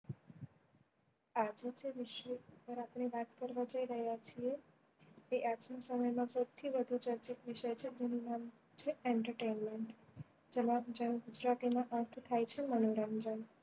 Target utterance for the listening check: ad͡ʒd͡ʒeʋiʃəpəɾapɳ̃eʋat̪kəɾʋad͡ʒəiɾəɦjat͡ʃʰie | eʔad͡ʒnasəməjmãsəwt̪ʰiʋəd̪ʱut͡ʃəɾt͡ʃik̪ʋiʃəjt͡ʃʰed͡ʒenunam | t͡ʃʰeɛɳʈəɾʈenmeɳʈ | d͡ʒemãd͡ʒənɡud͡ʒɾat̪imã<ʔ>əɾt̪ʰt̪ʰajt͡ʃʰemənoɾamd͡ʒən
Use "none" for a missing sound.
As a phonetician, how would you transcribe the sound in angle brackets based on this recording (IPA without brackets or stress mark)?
ʔ